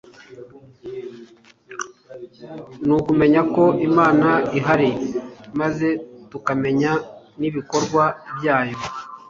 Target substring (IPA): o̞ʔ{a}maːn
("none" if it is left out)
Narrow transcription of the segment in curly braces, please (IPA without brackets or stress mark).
i